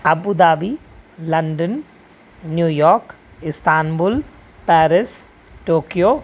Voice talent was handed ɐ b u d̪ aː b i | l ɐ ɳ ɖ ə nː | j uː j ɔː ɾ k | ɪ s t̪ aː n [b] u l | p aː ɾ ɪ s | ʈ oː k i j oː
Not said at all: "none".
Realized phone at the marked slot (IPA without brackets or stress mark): b